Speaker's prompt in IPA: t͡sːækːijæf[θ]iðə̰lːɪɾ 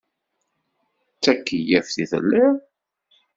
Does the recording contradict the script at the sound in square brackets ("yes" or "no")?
no